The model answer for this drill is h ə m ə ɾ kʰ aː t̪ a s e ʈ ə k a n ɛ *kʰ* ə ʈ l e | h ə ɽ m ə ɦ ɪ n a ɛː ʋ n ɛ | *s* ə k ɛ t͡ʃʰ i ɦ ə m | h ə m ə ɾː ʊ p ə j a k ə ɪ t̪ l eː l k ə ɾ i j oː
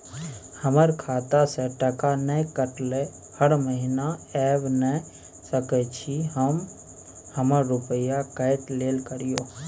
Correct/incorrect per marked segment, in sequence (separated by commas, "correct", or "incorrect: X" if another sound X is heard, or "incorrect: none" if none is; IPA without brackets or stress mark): incorrect: k, correct